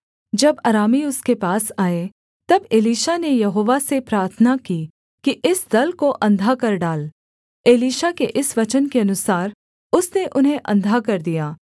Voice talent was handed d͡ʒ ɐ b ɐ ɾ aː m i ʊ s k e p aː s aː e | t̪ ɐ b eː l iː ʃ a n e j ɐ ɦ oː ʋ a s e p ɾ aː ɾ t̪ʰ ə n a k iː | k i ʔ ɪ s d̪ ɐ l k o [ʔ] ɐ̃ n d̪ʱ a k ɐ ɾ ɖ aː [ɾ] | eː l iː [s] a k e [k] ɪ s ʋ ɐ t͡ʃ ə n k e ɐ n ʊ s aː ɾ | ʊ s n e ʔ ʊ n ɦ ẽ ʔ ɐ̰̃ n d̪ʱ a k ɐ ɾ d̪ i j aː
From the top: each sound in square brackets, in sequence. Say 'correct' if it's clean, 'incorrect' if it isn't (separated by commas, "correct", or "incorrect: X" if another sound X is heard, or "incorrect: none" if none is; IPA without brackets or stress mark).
correct, incorrect: l, incorrect: ʃ, incorrect: ʔ